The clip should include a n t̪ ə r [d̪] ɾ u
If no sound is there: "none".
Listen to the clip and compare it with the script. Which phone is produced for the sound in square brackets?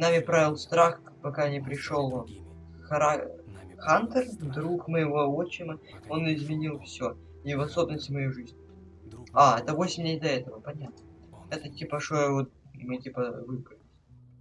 d̪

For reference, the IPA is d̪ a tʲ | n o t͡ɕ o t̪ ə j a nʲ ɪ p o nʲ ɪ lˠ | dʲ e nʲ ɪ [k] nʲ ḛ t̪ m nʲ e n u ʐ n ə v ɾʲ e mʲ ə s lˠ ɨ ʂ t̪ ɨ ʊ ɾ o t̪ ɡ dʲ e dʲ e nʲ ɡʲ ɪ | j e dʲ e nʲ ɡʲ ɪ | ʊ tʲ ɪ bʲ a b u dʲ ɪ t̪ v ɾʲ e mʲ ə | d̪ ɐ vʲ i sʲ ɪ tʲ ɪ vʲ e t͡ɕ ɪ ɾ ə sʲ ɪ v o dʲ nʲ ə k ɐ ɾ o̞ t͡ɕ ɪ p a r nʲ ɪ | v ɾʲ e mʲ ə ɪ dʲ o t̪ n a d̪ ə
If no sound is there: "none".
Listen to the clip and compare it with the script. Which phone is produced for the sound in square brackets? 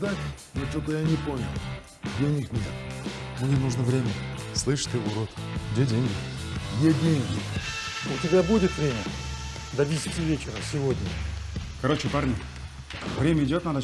k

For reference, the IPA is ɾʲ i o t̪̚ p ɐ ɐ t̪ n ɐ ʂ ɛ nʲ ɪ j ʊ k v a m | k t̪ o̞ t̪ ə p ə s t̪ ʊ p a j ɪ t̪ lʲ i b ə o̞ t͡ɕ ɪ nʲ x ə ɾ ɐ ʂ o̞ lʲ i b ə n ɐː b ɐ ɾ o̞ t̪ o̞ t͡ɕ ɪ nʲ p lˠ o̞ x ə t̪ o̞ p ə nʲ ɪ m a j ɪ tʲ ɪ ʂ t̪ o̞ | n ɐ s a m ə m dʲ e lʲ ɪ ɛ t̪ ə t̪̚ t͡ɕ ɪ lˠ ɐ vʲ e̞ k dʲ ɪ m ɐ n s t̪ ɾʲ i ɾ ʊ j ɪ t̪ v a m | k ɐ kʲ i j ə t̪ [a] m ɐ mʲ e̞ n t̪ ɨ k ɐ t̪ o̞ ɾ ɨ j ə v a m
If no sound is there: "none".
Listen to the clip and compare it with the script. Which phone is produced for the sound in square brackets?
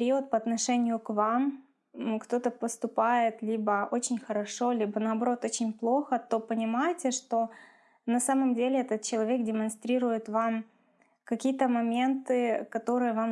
ə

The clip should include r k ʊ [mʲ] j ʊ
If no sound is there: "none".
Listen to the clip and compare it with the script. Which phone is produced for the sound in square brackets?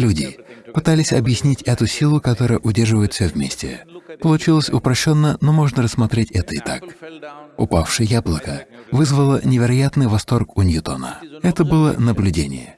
nʲ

